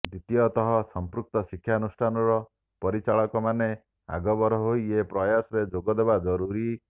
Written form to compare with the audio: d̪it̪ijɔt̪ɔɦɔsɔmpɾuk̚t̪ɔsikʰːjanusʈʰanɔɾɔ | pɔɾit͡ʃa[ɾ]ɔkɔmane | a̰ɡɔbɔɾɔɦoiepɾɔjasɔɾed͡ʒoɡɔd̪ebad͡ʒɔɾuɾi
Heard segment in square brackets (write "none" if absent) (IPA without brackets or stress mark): ɭ